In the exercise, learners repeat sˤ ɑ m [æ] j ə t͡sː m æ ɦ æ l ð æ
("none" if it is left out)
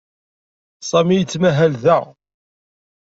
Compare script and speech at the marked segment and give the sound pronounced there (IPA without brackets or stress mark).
i